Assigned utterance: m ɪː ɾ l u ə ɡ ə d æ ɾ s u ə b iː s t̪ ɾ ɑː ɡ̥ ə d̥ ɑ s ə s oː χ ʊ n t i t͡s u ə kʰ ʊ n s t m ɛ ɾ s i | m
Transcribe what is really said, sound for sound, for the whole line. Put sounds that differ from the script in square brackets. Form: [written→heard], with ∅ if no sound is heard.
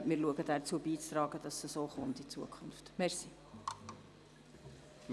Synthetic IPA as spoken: m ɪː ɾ l u ə ɡ ə d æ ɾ [s→t͡s] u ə b iː [s→t͡s] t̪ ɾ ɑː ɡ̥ ə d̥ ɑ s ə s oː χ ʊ n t i t͡s u ə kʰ ʊ n [s→f] t m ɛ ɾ s i | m